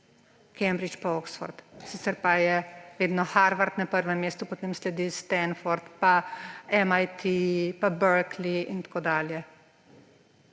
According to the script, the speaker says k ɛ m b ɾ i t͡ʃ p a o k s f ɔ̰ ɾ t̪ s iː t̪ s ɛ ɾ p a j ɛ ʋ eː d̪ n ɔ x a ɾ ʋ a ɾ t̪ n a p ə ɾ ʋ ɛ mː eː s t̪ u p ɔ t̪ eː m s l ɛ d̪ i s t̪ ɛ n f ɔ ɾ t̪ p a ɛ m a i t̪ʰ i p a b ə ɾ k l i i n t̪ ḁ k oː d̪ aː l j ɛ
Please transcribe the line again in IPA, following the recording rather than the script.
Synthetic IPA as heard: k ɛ m b ɾ i t͡ʃ p a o k s f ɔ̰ ɾ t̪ s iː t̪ s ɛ ɾ p a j ɛ ʋ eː d̪ n ɔ x a ɾ ʋ a ɾ t̪ n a p ə ɾ ʋ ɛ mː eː s t̪ u p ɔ t̪ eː m s l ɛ d̪ i s t̪ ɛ n f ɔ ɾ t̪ p a ɛ m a j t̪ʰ i p a b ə ɾ k l i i n t̪ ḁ k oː d̪ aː l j ɛ